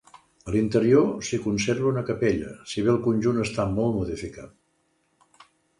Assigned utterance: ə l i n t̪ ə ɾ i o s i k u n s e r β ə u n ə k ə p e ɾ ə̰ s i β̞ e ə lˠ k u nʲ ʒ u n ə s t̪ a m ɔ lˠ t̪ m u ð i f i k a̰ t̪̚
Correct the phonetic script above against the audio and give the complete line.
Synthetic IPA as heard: ə l i n t̪ ə ɾ i o s i k u n s e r β ə u n ə k ə p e ʎ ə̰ s i β̞ e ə lˠ k u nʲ ʒ u n ə s t̪ a m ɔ lˠ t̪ m u ð i f i k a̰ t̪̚